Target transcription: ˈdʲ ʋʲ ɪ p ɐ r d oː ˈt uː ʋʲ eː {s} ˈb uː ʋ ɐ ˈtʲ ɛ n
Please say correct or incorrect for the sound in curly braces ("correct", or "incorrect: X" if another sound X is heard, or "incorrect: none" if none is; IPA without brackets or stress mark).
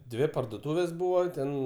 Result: correct